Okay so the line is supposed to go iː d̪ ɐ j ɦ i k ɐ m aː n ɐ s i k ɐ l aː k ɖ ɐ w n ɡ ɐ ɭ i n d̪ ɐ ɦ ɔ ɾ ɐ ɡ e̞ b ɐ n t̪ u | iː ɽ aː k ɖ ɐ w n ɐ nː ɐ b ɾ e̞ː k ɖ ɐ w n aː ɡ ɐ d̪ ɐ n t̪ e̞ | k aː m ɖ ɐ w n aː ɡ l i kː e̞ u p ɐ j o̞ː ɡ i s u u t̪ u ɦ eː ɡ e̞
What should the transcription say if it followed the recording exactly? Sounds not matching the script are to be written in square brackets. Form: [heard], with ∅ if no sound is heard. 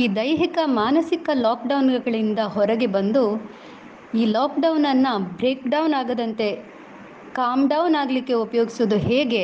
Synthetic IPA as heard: iː d̪ ɐ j ɦ i k ɐ m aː n ɐ s i k ɐ l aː k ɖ ɐ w n ɡ ɐ ɭ i n d̪ ɐ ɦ ɔ ɾ ɐ ɡ e̞ b ɐ n [d̪] u | iː [l] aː k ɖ ɐ w n ɐ nː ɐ b ɾ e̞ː k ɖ ɐ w n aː ɡ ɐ d̪ ɐ n t̪ e̞ | k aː m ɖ ɐ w n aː ɡ l i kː e̞ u p ɐ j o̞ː ɡ i s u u [d̪] u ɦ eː ɡ e̞